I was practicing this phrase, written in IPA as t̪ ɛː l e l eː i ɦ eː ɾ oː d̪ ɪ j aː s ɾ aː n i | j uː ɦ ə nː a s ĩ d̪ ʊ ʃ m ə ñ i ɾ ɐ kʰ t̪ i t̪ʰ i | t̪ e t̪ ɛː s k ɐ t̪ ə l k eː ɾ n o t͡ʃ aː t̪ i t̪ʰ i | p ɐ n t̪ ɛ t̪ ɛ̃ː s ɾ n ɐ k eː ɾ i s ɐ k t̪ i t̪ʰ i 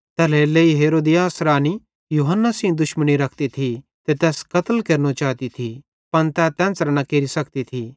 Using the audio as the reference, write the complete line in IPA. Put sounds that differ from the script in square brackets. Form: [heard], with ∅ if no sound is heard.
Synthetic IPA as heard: t̪ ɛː l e l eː i ɦ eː ɾ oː d̪ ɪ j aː s ɾ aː n i | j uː ɦ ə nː a s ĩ d̪ ʊ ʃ m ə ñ i ɾ ɐ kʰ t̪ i t̪ʰ i | t̪ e t̪ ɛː s k ɐ t̪ ə l k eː ɾ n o t͡ʃ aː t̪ i t̪ʰ i | p ɐ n t̪ ɛ t̪ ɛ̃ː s ɾ n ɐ k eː ɾ i s ɐ k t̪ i t̪ʰ i

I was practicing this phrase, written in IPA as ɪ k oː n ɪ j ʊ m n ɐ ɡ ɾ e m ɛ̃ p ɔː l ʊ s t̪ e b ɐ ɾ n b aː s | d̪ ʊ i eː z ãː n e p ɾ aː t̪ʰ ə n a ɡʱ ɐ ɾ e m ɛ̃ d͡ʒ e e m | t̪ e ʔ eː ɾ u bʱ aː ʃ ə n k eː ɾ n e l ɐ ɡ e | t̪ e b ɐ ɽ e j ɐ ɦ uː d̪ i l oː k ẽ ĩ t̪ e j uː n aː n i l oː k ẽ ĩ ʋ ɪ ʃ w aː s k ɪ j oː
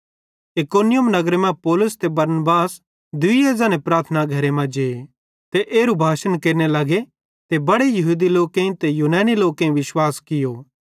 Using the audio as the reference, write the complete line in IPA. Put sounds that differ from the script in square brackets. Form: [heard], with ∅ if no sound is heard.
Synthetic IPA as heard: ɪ k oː n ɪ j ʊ m n ɐ ɡ ɾ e m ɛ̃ p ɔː l ʊ s t̪ e b ɐ ɾ n b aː s | d̪ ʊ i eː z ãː n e p ɾ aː t̪ʰ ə n a ɡʱ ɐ ɾ e m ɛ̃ d͡ʒ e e [∅] | t̪ e ʔ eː ɾ u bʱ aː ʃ ə n k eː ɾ n e l ɐ ɡ e | t̪ e b ɐ ɽ e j ɐ ɦ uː d̪ i l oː k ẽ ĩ t̪ e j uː n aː n i l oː k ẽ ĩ ʋ ɪ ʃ w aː s k ɪ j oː

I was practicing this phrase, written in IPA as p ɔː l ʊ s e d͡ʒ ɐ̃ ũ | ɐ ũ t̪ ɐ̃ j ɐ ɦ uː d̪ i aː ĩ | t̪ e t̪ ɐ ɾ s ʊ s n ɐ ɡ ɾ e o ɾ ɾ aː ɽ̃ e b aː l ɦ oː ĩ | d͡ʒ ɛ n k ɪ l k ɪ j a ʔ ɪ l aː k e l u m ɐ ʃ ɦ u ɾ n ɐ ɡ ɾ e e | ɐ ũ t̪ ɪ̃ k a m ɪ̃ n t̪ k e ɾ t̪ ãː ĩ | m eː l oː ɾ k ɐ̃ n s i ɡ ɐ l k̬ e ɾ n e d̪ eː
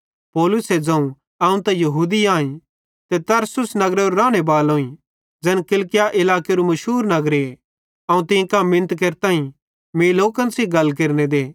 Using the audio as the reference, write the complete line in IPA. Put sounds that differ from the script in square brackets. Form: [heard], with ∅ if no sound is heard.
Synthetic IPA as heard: p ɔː l ʊ s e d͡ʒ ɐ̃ ũ | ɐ ũ t̪ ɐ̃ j ɐ ɦ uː d̪ i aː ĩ | t̪ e t̪ ɐ ɾ s ʊ s n ɐ ɡ ɾ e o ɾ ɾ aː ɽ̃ e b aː l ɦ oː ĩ | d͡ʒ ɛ n k ɪ l k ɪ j a ʔ ɪ l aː k e [ɾ] u m ɐ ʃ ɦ [uː] ɾ n ɐ ɡ ɾ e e | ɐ ũ t̪ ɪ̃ k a m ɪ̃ n t̪ k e ɾ t̪ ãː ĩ | m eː l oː [∅] k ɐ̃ n s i ɡ ɐ l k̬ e ɾ n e d̪ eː

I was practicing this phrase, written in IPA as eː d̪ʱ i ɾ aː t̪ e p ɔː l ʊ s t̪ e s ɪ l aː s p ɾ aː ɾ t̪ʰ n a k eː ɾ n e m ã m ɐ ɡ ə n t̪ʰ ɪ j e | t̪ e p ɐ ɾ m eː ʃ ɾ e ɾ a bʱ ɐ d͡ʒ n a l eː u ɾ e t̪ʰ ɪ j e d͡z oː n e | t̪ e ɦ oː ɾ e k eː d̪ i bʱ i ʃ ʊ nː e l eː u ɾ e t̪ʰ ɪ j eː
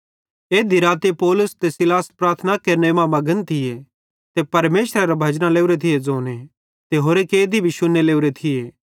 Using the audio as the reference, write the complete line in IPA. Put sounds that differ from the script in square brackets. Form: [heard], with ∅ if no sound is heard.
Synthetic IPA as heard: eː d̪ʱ i ɾ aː t̪ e p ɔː l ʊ s t̪ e s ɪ l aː s p ɾ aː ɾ t̪ʰ n a k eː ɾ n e m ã m ɐ ɡ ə n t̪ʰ ɪ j e | t̪ e p ɐ ɾ m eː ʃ ɾ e ɾ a bʱ ɐ d͡ʒ n a l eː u ɾ e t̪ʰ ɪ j e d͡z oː n e | t̪ e ɦ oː ɾ e k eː d̪ i bʱ i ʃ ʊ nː e l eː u ɾ e t̪ʰ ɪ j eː

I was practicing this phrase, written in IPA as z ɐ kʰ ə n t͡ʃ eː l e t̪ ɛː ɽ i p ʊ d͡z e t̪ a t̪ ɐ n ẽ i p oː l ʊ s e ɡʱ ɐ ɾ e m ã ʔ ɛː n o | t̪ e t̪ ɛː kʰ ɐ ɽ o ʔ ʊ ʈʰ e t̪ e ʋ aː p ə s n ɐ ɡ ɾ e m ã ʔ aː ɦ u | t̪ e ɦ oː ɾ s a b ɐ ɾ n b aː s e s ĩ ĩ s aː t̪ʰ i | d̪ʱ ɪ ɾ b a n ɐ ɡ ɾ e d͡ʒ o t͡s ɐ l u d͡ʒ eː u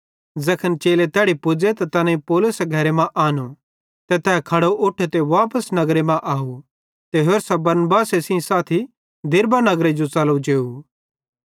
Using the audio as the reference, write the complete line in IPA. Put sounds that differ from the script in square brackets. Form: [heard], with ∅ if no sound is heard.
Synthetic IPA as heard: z ɐ kʰ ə n t͡ʃ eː l e t̪ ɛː ɽ i p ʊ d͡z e t̪ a t̪ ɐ n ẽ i p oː l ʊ s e ɡʱ ɐ ɾ e m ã ʔ [aː] n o | t̪ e t̪ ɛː kʰ ɐ ɽ o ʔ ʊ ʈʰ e t̪ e ʋ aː p ə s n ɐ ɡ ɾ e m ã ʔ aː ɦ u | t̪ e ɦ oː ɾ s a b ɐ ɾ n b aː s e s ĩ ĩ s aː t̪ʰ i | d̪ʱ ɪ ɾ b a n ɐ ɡ ɾ e d͡ʒ o t͡s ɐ l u d͡ʒ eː u

